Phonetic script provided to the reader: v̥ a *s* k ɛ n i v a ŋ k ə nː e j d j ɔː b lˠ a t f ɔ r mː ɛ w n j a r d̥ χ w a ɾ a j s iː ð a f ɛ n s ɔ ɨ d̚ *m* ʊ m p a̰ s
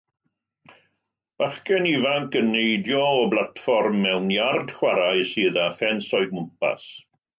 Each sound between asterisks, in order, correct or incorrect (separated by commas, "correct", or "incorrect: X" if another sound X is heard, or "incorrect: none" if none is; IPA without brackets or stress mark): incorrect: χ, correct